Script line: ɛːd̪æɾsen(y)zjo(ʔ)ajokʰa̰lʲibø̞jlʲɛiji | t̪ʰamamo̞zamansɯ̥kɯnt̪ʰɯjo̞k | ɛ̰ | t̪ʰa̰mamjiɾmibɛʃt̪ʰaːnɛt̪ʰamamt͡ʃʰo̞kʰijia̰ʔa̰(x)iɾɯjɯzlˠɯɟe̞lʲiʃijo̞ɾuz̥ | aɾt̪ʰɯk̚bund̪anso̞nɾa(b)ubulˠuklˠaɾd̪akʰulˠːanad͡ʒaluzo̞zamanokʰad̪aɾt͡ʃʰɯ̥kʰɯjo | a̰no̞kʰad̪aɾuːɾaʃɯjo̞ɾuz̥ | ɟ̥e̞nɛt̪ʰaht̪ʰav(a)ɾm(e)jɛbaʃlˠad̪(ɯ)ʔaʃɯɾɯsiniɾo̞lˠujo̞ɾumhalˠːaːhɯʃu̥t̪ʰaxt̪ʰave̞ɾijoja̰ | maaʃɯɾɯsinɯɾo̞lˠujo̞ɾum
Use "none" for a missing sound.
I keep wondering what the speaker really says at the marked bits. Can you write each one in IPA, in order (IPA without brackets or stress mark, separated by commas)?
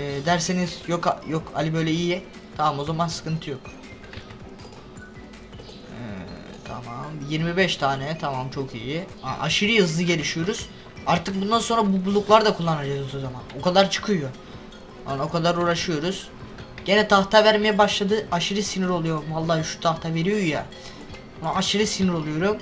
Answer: i, k, ʃ, b, æ, e, ɯ